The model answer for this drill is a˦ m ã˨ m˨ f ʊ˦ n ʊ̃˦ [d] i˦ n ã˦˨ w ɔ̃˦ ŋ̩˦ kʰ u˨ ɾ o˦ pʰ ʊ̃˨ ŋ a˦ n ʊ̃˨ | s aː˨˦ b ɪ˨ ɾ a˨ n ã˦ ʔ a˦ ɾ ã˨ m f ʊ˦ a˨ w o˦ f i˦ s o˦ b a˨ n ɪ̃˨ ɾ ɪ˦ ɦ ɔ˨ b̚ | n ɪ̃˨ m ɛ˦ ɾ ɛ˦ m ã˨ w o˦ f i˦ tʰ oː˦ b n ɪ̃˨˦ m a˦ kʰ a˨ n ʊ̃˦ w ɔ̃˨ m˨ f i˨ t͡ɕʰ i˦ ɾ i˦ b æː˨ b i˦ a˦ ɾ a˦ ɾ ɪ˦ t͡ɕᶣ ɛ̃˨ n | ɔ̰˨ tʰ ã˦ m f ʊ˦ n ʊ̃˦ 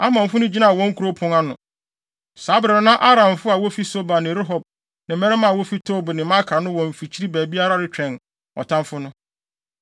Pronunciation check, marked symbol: incorrect: d͡ʑ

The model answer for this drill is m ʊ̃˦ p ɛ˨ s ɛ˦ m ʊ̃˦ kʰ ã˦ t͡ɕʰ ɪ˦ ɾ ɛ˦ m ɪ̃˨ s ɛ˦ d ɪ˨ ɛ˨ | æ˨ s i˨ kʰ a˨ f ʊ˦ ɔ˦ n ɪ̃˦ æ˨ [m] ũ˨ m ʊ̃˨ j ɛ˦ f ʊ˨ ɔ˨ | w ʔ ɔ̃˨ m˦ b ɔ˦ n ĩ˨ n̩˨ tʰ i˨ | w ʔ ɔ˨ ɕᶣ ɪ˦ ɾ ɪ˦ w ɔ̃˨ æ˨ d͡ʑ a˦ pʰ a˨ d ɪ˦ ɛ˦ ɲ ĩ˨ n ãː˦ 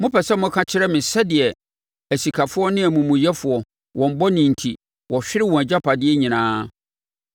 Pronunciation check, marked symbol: correct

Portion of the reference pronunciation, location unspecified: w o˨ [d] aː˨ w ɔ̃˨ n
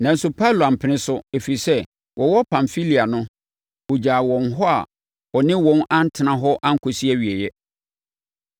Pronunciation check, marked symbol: incorrect: d͡ʑ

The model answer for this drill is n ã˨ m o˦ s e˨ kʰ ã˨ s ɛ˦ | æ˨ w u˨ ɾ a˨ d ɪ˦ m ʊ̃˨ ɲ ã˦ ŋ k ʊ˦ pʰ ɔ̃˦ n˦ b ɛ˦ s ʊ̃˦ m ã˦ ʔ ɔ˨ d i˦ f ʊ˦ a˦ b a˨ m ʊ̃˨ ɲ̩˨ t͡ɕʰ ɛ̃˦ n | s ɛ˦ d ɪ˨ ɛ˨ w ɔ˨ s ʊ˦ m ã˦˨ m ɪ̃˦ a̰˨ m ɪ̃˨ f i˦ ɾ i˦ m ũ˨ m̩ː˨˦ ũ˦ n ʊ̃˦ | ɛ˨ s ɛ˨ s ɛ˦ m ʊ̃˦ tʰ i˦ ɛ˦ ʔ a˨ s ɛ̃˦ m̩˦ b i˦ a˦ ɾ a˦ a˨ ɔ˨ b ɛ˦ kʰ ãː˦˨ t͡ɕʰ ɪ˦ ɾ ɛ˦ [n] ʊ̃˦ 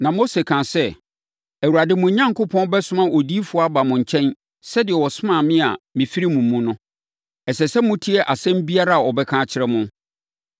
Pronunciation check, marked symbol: incorrect: m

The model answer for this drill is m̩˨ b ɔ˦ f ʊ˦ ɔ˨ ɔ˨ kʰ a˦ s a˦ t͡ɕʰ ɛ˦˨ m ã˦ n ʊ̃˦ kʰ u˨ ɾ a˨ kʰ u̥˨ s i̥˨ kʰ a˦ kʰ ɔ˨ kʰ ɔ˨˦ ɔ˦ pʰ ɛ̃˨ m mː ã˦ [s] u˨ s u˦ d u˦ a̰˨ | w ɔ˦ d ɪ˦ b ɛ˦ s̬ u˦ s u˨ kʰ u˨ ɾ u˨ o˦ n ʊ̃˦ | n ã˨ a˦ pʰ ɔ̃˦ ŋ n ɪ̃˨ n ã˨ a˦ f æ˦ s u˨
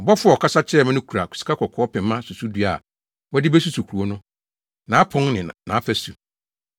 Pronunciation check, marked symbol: correct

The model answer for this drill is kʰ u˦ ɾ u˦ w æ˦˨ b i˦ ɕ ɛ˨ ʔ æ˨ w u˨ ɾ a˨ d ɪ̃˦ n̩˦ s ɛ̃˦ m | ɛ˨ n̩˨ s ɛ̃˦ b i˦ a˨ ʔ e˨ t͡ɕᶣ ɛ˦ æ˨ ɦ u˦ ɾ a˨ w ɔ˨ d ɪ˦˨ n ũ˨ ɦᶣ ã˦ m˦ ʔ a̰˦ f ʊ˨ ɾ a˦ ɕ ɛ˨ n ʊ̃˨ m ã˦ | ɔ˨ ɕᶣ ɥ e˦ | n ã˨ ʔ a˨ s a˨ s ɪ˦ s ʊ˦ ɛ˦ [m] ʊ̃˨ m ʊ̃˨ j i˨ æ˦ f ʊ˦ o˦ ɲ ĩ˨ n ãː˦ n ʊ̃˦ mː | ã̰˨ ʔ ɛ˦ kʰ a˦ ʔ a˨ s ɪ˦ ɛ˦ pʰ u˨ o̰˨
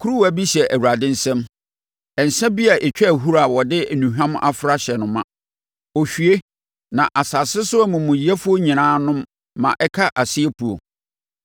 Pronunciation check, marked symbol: correct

